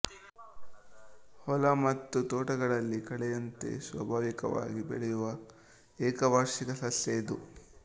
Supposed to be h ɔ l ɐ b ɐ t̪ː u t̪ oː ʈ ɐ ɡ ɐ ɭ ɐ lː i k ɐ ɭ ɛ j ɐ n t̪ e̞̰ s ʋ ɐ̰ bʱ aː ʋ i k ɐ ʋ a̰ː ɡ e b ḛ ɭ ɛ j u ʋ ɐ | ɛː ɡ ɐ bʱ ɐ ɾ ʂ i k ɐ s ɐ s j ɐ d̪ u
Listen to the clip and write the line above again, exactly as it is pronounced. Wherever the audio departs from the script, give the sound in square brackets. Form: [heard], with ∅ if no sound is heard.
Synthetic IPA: h ɔ l ɐ [m] ɐ t̪ː u t̪ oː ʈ ɐ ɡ ɐ ɭ ɐ lː i k ɐ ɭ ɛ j ɐ n t̪ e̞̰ s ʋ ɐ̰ bʱ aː ʋ i k ɐ ʋ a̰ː ɡ [i] b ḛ ɭ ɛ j u ʋ ɐ | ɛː [k] ɐ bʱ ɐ ɾ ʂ i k ɐ s ɐ s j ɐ d̪ u